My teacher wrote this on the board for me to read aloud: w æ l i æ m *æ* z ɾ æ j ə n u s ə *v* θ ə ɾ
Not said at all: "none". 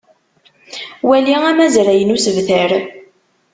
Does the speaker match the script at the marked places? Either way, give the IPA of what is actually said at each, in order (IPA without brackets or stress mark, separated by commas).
æ, v